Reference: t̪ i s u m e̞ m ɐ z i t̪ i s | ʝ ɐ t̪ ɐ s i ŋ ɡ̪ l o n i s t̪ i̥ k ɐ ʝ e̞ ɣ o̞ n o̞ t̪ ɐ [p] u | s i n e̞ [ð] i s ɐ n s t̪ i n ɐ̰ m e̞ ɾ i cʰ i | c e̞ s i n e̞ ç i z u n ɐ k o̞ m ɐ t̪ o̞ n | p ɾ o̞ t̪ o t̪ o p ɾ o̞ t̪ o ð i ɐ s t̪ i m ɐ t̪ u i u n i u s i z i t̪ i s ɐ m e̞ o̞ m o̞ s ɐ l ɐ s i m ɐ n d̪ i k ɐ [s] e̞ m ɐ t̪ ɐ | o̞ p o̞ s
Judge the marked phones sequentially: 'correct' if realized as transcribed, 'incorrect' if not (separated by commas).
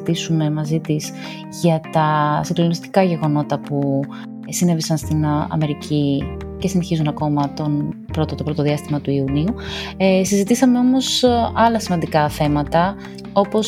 correct, incorrect, incorrect